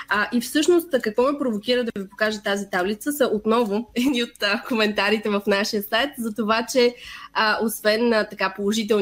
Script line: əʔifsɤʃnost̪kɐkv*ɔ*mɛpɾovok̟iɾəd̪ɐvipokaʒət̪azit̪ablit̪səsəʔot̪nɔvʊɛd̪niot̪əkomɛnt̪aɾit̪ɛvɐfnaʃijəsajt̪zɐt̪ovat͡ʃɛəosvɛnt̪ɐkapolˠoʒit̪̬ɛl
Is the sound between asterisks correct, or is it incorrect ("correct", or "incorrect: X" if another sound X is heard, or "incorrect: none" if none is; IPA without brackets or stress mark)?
correct